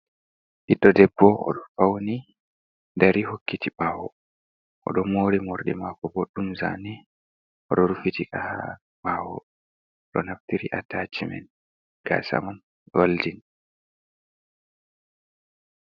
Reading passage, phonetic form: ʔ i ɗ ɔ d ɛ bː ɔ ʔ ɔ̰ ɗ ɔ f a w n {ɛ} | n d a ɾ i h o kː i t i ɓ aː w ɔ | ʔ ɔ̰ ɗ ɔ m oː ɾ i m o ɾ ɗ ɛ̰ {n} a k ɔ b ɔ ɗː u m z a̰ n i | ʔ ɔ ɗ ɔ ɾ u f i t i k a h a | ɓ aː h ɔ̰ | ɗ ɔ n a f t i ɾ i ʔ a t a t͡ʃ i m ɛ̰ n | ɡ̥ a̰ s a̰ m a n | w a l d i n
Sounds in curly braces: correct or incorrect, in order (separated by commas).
incorrect, incorrect